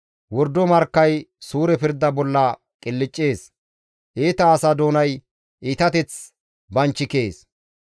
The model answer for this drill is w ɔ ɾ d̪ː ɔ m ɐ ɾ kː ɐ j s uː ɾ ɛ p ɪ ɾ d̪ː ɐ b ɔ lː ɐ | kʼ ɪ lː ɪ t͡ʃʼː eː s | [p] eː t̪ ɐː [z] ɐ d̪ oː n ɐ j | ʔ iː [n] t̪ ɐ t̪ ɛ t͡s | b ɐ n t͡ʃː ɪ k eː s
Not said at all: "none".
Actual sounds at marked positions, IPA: ʔ, s, none

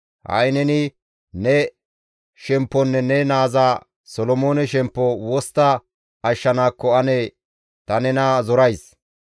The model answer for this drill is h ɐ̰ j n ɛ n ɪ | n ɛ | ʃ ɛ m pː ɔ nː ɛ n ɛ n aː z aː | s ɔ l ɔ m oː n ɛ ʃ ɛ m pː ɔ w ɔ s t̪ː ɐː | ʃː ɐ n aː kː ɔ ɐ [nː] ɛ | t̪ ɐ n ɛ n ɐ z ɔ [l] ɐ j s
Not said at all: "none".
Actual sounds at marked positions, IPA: n, ɾ

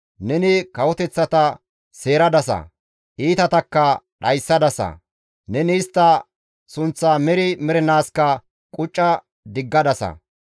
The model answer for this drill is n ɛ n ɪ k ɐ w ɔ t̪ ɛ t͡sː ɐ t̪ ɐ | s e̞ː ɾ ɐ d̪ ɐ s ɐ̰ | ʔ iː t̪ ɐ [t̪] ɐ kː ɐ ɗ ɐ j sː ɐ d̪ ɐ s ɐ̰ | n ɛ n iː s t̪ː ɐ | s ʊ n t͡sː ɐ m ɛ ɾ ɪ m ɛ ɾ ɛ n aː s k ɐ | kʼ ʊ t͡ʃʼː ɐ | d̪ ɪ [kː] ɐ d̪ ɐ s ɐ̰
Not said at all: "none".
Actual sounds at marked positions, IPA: t̪, ɡː

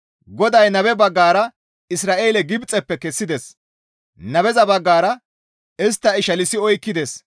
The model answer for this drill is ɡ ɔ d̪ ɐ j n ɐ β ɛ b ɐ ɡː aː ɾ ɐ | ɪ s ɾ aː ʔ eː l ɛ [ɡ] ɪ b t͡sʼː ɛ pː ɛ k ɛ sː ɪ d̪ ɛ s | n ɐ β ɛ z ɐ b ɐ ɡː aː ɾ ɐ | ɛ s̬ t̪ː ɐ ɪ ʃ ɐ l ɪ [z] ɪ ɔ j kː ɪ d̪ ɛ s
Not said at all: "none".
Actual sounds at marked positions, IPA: ɡ, s

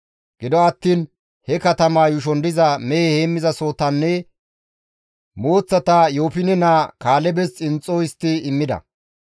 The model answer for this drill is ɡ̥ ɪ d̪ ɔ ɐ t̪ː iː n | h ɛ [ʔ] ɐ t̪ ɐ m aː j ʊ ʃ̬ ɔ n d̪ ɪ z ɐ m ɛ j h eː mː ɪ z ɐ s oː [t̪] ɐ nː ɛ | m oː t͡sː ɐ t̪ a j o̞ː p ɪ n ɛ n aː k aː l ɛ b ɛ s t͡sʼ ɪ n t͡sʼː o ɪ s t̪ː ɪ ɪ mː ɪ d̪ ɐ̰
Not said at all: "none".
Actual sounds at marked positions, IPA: k, t̪

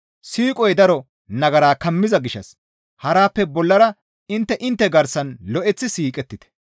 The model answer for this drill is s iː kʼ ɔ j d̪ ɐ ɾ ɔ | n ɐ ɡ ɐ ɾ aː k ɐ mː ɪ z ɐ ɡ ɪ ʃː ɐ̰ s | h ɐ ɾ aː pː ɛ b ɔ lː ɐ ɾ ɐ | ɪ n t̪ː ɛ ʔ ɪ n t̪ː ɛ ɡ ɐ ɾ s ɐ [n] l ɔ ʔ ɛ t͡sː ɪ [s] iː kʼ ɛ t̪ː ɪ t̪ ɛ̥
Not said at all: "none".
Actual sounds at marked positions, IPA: n, s

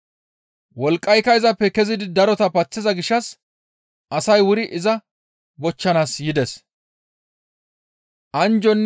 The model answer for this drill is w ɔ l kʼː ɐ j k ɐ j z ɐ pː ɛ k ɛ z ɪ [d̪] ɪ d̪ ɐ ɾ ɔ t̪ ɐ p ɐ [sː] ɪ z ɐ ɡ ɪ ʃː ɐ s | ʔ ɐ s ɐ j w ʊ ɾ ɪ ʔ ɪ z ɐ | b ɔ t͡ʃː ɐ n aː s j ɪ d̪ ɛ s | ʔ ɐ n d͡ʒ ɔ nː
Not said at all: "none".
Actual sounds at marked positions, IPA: d̪, t͡sː

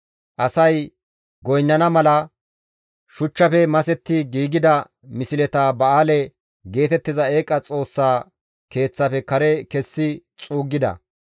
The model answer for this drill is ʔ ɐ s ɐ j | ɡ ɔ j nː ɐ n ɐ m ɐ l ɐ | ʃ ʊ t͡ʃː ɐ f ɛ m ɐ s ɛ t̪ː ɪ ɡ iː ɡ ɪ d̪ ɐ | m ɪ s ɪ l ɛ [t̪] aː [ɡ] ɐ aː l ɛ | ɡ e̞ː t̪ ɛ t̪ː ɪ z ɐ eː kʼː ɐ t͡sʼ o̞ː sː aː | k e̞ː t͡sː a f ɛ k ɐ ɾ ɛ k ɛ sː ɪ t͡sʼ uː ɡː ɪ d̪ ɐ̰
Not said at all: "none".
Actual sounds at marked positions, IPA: t̪, b

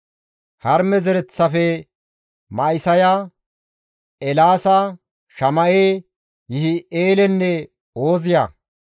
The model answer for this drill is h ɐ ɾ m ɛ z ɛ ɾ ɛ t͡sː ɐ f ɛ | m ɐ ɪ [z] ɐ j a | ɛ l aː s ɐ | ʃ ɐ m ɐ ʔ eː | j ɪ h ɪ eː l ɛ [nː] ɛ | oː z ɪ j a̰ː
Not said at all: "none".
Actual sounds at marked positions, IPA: s, nː

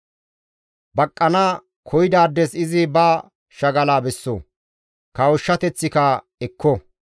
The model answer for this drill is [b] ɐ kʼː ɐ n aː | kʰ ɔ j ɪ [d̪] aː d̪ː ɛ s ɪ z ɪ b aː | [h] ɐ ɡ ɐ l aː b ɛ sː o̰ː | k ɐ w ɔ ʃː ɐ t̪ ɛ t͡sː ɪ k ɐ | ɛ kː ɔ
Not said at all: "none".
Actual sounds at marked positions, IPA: b, d̪, ʃ

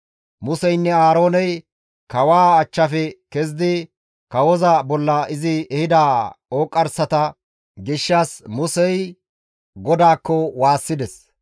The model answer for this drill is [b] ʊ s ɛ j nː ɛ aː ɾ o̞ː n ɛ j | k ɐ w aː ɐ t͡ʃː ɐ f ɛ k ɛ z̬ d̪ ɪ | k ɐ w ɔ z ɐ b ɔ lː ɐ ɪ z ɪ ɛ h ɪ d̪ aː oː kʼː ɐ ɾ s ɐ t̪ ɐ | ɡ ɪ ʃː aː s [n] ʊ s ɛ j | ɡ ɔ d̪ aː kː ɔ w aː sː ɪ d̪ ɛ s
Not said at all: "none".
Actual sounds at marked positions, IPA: m, m

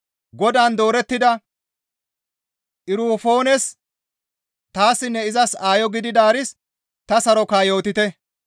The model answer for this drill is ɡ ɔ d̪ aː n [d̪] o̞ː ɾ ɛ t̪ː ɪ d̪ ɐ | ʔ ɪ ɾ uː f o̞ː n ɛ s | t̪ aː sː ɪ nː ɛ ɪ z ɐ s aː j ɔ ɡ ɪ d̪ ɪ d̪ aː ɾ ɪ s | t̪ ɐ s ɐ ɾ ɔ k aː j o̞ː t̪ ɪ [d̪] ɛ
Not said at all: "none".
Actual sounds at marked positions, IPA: d̪, t̪

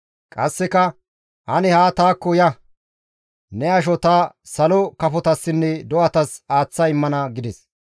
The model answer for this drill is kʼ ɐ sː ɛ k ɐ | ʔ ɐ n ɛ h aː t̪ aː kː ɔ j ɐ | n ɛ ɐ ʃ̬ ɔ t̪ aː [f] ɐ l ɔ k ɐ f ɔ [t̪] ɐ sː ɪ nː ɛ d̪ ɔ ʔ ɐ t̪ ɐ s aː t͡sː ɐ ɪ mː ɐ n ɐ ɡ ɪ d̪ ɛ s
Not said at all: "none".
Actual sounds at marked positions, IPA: s, t̪

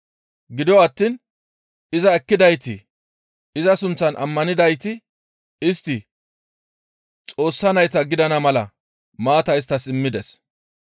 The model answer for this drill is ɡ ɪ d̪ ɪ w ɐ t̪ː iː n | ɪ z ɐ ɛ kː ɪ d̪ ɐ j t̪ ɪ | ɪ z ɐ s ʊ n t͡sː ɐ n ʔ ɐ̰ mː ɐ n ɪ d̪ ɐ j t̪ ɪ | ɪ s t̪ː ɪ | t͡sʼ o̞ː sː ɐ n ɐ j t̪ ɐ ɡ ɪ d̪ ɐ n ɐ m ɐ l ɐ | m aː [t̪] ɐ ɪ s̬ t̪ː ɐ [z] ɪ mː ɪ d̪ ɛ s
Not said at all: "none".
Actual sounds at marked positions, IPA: t̪, s

